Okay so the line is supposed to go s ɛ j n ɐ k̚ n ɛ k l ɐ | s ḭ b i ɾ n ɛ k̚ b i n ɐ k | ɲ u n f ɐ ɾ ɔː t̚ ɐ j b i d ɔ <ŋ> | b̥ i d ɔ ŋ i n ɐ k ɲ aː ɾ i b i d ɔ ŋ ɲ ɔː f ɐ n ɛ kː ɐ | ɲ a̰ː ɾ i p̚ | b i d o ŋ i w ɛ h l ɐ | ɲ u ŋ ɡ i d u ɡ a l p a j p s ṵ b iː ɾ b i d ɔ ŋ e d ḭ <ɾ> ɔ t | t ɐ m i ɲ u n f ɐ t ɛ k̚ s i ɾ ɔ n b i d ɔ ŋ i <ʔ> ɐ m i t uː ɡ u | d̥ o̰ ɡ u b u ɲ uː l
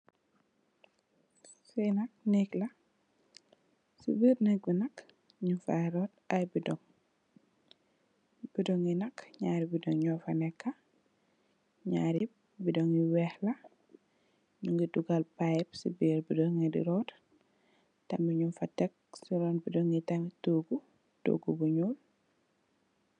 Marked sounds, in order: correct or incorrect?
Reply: correct, correct, incorrect

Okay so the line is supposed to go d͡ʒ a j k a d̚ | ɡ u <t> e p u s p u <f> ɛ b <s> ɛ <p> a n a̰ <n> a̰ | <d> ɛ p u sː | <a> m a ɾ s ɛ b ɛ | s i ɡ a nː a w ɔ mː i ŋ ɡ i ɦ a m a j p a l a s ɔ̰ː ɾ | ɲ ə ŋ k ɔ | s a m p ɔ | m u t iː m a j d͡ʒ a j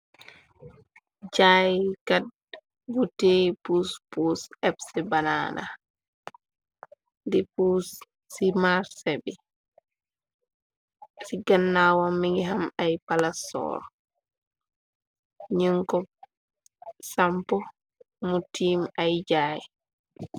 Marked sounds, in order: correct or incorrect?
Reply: correct, incorrect, correct, incorrect, correct, correct, incorrect

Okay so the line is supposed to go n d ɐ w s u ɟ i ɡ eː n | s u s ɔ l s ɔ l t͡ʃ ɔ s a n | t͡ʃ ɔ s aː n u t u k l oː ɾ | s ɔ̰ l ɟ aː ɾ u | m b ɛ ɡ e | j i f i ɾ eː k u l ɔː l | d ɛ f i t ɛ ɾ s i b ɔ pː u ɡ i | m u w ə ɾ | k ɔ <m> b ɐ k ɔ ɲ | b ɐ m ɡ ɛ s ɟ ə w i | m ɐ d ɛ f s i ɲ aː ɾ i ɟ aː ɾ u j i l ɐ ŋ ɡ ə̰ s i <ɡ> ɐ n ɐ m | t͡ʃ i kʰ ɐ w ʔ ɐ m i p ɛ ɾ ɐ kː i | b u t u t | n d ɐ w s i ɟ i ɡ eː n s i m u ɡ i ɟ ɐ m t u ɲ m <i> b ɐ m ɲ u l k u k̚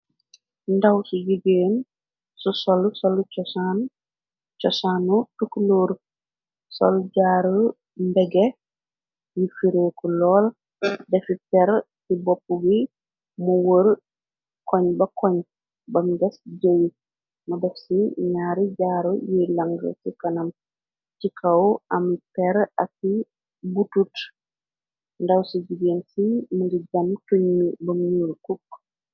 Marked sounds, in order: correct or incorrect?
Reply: incorrect, incorrect, correct

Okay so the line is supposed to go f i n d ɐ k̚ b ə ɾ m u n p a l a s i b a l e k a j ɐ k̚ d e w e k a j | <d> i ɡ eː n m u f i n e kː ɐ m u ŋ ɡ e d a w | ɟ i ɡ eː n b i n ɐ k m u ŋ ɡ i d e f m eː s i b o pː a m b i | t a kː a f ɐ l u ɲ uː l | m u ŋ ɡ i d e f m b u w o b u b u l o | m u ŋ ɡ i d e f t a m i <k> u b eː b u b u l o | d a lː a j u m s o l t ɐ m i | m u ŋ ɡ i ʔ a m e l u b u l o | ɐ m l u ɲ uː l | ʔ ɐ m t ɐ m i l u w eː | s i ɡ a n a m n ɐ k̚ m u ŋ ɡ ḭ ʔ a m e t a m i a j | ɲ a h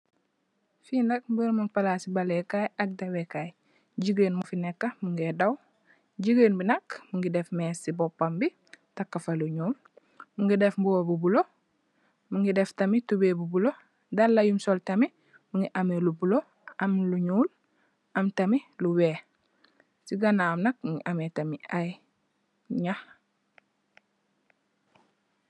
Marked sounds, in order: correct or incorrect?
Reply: incorrect, incorrect

